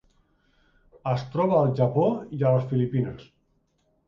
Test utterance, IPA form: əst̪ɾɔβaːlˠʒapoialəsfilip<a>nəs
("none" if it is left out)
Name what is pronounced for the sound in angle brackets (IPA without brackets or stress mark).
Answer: i